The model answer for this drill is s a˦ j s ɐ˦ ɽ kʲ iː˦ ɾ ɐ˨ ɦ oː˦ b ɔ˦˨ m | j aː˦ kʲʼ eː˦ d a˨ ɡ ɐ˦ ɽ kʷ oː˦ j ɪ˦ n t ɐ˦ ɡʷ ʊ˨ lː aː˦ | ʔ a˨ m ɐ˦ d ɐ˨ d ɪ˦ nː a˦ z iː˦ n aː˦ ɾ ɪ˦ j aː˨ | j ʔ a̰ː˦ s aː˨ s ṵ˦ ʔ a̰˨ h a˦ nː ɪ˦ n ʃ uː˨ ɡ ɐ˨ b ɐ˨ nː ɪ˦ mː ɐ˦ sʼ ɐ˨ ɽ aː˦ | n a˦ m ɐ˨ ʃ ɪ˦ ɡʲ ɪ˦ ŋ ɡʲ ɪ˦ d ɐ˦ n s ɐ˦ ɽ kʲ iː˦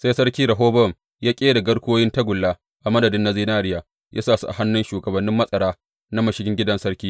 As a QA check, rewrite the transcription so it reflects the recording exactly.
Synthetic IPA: s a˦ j s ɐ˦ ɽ kʲ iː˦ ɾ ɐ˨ ɦ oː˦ b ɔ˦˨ m | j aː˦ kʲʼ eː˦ d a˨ ɡ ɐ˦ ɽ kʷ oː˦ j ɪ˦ n t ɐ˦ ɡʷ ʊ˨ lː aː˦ | ʔ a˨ m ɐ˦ d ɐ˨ d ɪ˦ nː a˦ z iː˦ n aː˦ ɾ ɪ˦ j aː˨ | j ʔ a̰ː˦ s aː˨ s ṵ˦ ʔ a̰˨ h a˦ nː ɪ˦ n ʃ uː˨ ɡ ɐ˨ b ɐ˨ nː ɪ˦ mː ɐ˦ sʼ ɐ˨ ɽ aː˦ | n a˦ m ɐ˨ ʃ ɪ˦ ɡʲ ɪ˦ ŋ ɡʲ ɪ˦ d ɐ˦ n s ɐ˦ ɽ kʲ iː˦